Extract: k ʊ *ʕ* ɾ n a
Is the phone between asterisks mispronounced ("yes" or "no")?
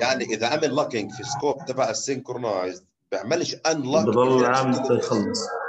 yes